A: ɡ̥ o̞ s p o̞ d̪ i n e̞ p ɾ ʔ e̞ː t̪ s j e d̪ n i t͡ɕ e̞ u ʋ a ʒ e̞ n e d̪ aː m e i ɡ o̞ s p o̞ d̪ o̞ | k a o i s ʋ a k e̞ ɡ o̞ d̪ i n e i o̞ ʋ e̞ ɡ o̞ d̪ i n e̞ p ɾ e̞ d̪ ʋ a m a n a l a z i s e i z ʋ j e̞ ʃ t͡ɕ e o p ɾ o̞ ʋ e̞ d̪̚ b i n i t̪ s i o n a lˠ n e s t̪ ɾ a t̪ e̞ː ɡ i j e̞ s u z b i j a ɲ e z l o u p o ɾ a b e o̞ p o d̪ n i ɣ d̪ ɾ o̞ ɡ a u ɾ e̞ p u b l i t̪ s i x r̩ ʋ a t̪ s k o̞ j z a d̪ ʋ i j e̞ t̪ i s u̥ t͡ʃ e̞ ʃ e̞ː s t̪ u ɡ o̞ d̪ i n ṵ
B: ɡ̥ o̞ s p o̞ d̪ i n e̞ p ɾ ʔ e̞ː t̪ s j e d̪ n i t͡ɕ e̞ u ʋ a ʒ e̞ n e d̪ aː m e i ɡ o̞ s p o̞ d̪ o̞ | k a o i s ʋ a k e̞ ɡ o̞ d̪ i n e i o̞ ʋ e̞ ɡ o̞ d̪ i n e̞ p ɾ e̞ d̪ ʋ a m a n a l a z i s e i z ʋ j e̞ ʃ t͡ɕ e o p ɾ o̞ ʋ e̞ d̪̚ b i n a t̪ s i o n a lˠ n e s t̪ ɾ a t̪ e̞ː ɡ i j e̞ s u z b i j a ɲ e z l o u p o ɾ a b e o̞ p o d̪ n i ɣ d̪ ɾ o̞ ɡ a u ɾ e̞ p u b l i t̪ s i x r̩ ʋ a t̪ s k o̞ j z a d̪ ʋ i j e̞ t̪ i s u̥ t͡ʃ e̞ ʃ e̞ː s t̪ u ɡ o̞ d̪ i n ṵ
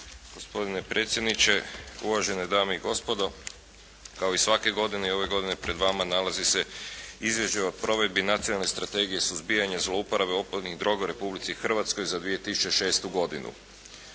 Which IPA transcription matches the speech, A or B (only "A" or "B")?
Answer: B